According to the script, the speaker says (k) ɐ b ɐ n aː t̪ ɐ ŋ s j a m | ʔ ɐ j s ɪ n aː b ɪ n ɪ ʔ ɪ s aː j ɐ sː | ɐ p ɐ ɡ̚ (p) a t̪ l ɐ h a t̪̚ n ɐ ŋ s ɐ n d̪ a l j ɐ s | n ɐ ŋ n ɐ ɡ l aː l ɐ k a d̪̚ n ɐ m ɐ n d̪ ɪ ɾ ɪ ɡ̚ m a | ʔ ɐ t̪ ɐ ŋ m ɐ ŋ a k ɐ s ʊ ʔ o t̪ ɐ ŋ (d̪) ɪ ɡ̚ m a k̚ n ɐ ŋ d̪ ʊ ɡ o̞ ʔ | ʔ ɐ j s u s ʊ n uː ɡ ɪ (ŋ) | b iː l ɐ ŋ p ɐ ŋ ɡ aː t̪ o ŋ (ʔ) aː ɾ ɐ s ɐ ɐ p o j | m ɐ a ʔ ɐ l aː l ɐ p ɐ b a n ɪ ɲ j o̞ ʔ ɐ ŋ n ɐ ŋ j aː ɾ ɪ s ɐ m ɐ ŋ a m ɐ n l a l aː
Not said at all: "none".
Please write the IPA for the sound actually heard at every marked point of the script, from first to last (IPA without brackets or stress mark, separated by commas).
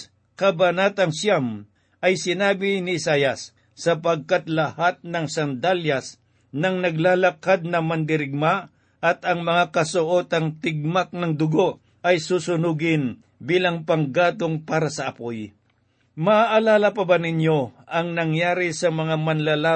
k, k, t̪, n, p